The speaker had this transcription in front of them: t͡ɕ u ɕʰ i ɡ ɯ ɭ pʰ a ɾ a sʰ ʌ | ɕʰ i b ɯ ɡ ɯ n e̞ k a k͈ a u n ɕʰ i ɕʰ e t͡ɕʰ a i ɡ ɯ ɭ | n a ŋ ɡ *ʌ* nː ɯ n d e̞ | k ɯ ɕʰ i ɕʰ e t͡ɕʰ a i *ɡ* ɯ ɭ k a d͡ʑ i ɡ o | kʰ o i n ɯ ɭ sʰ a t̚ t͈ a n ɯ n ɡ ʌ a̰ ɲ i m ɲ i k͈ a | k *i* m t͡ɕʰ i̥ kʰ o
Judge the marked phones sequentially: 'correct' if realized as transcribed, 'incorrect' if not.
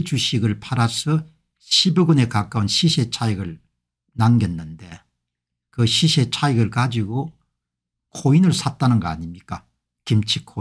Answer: correct, correct, correct

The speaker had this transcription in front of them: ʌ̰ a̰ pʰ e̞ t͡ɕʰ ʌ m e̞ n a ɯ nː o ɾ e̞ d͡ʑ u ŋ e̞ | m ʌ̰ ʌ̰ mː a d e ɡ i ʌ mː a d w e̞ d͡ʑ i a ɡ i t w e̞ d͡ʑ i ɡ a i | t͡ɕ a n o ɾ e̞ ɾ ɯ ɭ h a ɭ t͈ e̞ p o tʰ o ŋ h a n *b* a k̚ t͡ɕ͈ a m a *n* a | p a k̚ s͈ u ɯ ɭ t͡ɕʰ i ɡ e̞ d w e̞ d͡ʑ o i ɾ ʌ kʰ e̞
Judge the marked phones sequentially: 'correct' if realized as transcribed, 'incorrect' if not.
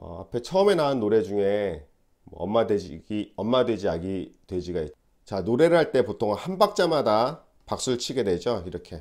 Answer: correct, incorrect

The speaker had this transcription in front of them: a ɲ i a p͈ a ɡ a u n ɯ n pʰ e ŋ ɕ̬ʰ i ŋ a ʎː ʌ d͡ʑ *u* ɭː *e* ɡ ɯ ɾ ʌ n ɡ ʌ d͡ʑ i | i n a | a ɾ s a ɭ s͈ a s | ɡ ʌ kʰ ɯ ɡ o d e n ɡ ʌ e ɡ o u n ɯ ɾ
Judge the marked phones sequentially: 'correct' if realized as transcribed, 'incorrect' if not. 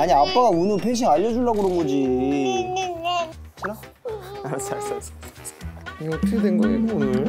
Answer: correct, incorrect

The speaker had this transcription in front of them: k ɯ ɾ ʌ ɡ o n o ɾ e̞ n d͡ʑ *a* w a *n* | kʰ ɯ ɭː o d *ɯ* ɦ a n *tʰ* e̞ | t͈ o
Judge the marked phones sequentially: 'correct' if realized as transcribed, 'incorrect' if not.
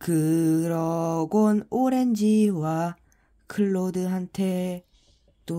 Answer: incorrect, incorrect, correct, correct

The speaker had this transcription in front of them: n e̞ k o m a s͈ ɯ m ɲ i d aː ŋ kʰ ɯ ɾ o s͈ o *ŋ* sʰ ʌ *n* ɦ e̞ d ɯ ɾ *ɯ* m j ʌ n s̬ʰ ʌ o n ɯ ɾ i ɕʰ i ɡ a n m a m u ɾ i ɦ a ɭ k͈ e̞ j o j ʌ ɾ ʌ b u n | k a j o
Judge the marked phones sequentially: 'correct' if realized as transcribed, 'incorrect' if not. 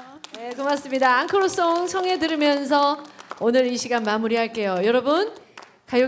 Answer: correct, incorrect, correct

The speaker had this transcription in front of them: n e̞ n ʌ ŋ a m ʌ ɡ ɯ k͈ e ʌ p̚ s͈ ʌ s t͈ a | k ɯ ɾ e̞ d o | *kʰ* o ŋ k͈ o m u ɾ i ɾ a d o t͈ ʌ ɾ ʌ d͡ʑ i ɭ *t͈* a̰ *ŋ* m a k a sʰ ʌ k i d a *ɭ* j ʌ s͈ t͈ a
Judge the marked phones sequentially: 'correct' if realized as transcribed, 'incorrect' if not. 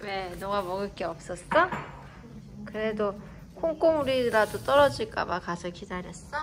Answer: correct, incorrect, incorrect, incorrect

